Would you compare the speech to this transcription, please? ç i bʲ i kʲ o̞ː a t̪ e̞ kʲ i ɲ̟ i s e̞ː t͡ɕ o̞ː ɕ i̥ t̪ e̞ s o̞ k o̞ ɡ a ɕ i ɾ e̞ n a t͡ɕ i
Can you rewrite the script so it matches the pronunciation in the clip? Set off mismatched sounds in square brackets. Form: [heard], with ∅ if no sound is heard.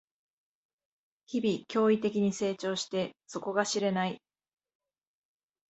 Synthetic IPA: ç i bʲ i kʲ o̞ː [i] t̪ e̞ kʲ i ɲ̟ i s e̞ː t͡ɕ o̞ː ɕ i̥ t̪ e̞ s o̞ k o̞ ɡ a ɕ i ɾ e̞ n a [∅] i